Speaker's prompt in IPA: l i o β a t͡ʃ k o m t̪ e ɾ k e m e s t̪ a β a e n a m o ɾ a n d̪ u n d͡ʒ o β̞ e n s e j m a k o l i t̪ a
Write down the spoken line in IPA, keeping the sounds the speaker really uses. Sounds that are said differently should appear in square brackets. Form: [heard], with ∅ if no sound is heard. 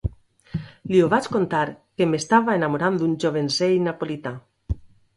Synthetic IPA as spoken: l i o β a t͡ʃ k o [n] t̪ [a] ɾ k e m e s t̪ a β a e n a m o ɾ a n d̪ u n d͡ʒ o β̞ e n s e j [n] a [p] o l i t̪ a